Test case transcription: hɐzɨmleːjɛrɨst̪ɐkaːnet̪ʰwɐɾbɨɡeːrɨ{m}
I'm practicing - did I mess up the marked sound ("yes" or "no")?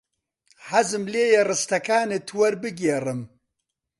no